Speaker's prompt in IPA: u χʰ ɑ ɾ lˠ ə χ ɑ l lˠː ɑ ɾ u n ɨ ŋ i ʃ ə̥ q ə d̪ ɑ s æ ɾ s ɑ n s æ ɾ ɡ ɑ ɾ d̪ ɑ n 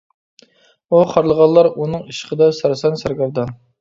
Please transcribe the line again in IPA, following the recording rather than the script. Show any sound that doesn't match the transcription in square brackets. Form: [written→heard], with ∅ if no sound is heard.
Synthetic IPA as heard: u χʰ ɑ ɾ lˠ ə [χ→ʁ] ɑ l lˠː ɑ ɾ u n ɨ ŋ i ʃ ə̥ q ə d̪ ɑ s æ ɾ s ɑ n s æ ɾ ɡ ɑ ɾ d̪ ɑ n